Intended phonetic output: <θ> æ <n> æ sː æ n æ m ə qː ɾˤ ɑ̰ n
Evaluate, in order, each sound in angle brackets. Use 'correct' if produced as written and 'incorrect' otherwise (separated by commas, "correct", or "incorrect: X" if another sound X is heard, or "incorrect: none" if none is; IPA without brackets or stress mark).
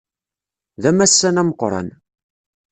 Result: incorrect: ð, incorrect: m